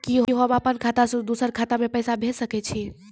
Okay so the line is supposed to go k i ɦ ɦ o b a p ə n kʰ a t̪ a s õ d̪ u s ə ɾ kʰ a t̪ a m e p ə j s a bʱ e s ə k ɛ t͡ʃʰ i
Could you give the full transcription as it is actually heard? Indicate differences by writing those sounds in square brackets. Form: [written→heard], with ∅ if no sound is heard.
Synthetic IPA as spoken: k i ɦ ɦ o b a p ə n kʰ a t̪ a s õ d̪ u s ə ɾ kʰ a t̪ a m e p ə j s a bʱ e s ə k ɛ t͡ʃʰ i